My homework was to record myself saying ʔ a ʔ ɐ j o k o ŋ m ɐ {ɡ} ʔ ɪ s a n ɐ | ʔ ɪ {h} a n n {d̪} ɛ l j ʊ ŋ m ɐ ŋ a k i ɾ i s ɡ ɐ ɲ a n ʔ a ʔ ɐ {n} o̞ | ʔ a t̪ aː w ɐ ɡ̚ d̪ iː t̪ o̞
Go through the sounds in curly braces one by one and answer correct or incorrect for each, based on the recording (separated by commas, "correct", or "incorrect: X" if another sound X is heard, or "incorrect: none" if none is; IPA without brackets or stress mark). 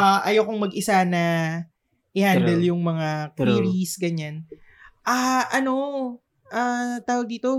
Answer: correct, correct, correct, correct